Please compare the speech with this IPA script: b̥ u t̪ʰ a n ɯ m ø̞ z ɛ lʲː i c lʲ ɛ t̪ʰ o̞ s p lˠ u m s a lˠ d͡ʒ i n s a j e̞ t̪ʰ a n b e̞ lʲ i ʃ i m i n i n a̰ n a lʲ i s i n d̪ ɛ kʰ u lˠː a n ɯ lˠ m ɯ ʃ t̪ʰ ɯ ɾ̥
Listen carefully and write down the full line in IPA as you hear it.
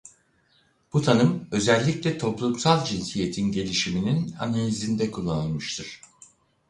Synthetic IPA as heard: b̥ u t̪ʰ a n ɯ m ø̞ z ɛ lʲː i c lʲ ɛ t̪ʰ o̞ p lˠ u m s a lˠ d͡ʒ i n s i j e̞ t̪ʰ i n ɟ e̞ lʲ i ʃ i m i n i n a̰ n a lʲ i z i n d̪ ɛ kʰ u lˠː a n ɯ lˠ m ɯ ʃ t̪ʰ ɯ ɾ̥